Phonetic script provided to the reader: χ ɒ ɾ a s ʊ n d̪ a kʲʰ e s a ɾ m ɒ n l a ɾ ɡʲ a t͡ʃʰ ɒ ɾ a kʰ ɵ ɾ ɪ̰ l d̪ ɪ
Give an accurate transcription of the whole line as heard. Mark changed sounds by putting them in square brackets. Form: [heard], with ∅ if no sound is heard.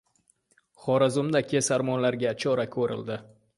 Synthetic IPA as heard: χ ɒ ɾ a [z] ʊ [m] d̪ a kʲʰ e s a ɾ m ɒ n l a ɾ ɡʲ a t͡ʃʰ ɒ ɾ a kʰ ɵ ɾ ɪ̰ l d̪ ɪ